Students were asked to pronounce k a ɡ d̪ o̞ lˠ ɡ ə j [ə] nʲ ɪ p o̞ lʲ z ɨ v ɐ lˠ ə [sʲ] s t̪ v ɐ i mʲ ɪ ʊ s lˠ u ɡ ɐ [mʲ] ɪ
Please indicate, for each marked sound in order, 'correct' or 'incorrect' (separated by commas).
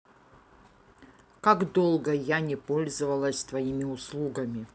incorrect, correct, correct